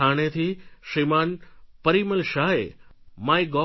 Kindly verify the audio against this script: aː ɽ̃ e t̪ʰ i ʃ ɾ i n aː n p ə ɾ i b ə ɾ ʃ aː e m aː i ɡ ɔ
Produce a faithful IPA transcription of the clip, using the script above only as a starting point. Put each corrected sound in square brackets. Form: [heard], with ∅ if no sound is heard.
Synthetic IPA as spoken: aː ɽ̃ e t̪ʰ i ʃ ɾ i [m] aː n p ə ɾ i [m] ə [l] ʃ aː e m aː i ɡ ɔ